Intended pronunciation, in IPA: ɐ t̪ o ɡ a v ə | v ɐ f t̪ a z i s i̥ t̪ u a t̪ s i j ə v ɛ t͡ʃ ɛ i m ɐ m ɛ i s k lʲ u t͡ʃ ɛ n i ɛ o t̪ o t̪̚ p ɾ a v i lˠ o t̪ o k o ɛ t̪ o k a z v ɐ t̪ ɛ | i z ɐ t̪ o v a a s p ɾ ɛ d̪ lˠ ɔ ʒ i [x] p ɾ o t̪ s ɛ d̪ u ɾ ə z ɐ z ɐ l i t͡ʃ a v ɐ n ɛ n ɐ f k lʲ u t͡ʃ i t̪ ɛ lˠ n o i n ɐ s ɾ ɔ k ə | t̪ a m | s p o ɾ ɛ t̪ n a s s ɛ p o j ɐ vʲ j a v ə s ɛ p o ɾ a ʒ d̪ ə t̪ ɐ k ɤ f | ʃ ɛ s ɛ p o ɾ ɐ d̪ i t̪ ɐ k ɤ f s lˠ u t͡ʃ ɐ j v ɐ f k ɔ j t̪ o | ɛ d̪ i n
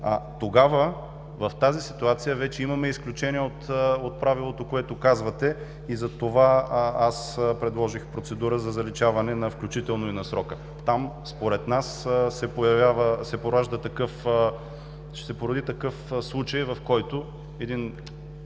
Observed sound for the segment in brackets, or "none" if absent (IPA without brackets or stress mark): x